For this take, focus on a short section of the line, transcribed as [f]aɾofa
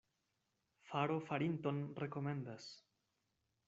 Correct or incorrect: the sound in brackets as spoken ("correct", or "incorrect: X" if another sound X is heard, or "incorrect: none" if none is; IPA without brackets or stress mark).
correct